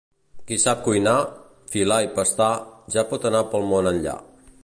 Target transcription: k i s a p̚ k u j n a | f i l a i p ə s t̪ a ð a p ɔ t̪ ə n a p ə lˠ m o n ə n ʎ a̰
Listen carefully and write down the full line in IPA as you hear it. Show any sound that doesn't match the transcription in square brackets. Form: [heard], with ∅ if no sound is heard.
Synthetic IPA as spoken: k i s a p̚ k u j n a | f i l a i p ə s t̪ a [ʒ] a p ɔ t̪ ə n a p ə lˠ m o n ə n ʎ a̰